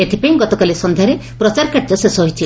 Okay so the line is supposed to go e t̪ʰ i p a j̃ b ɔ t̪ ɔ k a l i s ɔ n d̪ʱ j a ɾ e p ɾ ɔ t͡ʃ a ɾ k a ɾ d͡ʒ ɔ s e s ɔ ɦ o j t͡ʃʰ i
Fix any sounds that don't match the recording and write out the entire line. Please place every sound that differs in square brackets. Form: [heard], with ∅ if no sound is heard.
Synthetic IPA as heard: e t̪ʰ i p a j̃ [ɡ] ɔ t̪ ɔ k a l i s ɔ n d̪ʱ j a ɾ e p ɾ ɔ t͡ʃ a ɾ k a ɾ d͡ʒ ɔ s e s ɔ ɦ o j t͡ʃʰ i